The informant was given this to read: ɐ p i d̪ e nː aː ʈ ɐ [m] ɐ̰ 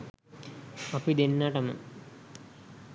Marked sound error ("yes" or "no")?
no